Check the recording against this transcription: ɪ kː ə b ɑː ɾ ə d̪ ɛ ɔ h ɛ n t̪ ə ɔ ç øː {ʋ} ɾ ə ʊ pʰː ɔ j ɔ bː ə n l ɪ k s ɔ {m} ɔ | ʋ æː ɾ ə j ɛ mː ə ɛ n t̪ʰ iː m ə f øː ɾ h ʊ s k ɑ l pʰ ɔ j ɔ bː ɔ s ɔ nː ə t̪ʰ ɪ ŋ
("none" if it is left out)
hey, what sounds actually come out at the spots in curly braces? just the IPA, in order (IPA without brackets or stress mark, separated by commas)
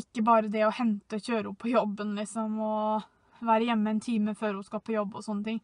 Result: none, m